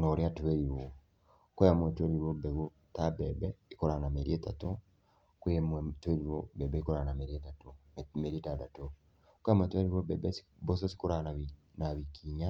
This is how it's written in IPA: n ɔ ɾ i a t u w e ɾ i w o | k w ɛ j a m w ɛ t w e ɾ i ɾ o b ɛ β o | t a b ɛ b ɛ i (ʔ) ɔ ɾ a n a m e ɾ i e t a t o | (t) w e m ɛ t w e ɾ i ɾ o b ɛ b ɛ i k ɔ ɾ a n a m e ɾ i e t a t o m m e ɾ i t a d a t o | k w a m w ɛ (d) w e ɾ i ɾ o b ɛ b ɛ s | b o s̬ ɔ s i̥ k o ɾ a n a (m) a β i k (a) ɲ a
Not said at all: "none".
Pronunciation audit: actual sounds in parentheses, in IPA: k, k, t, n, i

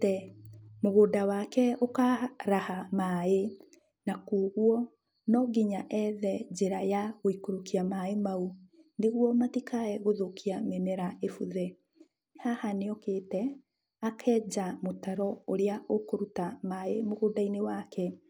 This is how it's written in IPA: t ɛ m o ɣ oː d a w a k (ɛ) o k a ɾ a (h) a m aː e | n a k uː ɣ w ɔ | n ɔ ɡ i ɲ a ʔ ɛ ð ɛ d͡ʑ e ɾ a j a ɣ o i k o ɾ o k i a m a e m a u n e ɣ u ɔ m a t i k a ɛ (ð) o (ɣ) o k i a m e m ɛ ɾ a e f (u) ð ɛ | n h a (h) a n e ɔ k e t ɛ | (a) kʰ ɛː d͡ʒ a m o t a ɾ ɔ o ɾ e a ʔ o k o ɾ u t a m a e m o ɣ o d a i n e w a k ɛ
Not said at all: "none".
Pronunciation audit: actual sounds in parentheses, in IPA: ɛ, h, ɣ, ð, u, h, a

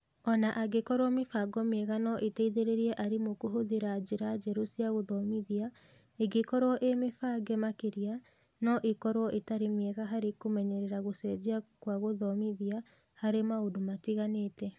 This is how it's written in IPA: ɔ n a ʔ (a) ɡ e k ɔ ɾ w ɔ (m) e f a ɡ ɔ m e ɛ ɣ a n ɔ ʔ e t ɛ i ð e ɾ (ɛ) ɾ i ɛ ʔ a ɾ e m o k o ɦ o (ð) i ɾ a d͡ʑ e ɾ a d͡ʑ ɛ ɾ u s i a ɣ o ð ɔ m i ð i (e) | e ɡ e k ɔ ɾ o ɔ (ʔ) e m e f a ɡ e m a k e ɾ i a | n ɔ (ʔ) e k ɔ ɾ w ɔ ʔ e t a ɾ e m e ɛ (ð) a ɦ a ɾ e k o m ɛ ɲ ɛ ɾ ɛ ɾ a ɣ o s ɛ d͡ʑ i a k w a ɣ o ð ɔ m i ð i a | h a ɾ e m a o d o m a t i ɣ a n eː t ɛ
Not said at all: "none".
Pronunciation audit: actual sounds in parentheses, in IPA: a, m, e, ð, a, ʔ, ʔ, ɣ

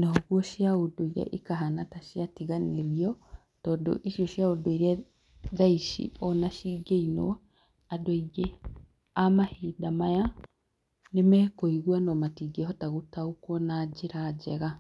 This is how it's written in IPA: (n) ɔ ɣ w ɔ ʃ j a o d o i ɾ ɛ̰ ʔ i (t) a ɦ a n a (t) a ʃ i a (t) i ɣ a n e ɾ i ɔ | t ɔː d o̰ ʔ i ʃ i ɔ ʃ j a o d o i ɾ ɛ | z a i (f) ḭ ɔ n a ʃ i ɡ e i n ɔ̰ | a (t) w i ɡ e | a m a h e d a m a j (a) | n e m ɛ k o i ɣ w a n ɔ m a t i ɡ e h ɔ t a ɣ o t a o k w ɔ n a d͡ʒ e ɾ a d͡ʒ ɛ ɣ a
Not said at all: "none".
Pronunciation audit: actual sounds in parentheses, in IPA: n, k, t, t, ʃ, d, a

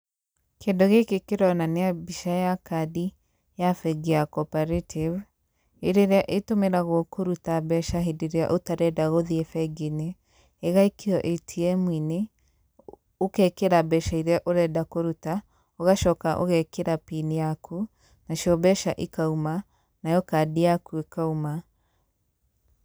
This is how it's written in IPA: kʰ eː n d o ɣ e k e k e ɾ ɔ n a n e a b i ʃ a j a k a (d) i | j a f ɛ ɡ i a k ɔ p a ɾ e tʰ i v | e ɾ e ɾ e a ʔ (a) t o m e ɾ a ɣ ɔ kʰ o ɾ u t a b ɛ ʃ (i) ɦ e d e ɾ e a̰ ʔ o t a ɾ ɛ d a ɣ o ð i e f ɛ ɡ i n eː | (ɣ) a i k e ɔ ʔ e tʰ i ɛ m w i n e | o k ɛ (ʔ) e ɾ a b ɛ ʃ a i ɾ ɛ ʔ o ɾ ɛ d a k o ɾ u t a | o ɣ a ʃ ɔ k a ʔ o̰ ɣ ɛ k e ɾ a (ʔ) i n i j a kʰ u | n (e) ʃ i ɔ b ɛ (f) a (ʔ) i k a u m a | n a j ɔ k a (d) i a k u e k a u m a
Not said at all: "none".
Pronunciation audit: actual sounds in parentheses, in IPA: d, e, a, ɣ, k, p, a, ʃ, ʔ, d

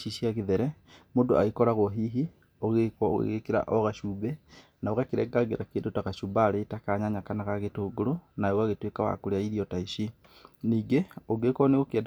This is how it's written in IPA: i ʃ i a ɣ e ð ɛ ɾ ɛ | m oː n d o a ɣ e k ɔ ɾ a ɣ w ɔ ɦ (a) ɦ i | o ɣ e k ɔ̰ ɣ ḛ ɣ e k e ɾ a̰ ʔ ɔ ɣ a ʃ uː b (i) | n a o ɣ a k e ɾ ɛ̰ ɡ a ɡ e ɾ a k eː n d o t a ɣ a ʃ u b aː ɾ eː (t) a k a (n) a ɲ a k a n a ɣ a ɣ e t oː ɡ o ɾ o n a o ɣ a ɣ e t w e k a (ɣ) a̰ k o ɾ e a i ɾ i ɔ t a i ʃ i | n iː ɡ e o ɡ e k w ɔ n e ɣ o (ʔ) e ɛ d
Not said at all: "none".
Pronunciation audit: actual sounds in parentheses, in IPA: i, ɛ, t, ɲ, w, k

